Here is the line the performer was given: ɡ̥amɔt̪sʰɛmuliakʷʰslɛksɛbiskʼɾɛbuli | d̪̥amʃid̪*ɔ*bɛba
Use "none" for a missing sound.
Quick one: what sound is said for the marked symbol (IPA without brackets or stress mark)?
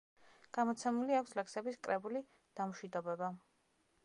ɔ